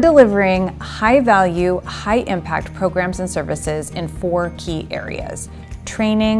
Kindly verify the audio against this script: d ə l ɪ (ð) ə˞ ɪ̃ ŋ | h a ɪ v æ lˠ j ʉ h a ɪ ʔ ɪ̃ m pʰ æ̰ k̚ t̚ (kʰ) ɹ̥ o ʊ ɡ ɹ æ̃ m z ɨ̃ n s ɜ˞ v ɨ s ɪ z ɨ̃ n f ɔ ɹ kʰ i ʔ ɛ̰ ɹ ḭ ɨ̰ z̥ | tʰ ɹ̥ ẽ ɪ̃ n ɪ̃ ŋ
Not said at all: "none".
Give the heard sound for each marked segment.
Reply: v, pʰ

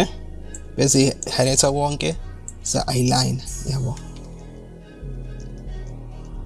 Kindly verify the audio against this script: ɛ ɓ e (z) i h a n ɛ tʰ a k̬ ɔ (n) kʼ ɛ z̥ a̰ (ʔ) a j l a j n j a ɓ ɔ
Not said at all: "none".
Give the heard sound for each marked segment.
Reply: z, ŋ, ʔ

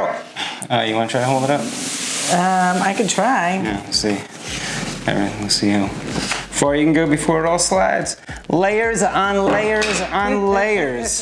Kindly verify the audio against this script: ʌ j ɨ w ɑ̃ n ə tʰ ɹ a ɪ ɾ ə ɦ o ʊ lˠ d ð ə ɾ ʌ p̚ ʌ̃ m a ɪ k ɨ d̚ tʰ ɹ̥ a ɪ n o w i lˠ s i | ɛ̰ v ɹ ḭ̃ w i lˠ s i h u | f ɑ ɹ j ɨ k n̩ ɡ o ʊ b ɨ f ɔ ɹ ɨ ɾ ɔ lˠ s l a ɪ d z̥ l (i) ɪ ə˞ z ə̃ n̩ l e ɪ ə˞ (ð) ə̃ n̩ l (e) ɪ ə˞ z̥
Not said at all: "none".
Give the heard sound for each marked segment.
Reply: e, z, e

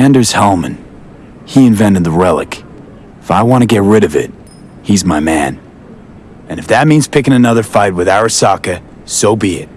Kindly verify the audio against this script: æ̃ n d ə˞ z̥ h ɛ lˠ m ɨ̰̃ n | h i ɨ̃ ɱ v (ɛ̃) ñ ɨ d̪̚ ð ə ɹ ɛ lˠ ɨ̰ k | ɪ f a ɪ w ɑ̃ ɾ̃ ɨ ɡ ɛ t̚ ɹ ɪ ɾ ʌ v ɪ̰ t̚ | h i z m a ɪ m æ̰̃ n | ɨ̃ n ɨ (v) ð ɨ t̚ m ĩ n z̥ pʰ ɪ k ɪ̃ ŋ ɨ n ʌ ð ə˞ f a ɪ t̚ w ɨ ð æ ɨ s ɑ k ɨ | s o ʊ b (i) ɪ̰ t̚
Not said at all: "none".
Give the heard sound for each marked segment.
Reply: ɛ̃, f, i

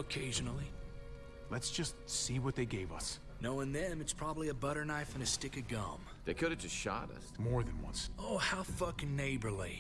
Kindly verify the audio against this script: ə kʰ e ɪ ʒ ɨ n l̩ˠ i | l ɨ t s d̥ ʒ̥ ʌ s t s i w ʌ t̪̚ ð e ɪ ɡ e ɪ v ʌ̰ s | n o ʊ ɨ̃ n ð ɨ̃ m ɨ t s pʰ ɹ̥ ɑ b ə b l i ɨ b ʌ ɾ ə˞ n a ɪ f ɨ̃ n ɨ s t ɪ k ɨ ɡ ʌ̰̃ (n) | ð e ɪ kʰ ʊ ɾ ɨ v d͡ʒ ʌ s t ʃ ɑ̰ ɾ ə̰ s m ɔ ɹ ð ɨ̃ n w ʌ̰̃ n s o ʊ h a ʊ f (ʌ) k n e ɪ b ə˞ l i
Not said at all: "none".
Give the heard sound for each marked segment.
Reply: m, ʌ

